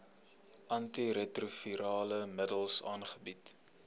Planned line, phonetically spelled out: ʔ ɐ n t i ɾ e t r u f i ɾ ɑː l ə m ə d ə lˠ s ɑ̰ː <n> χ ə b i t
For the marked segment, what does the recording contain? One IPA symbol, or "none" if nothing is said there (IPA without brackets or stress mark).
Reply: n